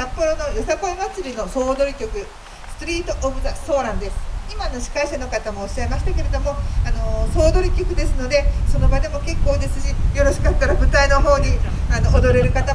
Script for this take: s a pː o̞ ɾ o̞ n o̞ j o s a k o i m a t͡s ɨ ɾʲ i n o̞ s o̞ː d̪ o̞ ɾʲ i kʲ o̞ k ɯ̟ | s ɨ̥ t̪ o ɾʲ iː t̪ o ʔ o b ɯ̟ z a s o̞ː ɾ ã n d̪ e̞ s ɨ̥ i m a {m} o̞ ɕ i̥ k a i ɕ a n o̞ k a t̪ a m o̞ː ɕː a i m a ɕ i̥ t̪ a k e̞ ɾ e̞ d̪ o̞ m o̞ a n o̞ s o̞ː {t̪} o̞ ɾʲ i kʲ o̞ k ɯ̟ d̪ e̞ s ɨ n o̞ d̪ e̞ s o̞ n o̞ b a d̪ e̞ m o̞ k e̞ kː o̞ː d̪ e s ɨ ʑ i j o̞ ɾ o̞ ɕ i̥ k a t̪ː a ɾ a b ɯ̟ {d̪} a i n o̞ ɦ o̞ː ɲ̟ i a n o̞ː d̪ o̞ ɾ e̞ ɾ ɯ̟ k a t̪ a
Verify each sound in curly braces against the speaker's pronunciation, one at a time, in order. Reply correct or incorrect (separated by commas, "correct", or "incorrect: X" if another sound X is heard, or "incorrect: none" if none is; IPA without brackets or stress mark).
incorrect: n, incorrect: d̪, incorrect: t̪